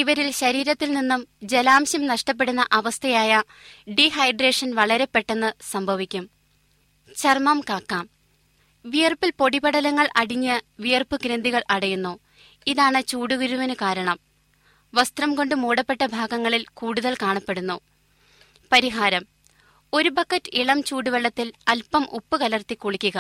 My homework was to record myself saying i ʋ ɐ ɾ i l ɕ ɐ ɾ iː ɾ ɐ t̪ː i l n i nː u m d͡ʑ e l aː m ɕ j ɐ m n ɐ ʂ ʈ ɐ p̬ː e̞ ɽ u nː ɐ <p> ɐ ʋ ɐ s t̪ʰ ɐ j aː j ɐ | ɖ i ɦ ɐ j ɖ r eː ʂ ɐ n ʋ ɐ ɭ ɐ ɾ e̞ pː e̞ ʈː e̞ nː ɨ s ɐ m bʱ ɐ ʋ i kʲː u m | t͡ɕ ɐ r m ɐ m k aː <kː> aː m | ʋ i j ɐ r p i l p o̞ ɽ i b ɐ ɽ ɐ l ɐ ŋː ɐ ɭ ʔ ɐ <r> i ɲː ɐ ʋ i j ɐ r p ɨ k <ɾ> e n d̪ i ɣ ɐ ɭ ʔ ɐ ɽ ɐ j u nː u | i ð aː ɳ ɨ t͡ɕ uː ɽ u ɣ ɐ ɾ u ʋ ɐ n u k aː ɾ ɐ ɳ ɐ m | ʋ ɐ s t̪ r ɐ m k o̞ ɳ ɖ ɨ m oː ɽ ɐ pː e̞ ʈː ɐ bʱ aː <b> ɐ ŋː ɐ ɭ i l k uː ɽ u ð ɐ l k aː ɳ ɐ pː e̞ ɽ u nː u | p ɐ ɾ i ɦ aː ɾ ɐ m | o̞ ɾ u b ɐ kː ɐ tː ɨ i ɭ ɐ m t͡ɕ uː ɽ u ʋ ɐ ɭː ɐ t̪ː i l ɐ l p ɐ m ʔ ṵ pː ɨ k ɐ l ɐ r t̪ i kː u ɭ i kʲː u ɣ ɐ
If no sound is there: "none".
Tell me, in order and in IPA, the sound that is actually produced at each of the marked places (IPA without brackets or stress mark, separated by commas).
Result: ʔ, kː, ɽ, ɾ, ɡ